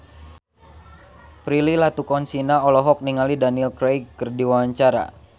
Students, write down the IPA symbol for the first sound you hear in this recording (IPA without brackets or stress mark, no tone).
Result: p